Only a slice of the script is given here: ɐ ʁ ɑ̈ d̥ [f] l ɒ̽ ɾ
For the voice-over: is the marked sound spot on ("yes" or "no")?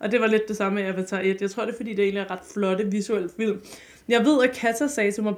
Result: yes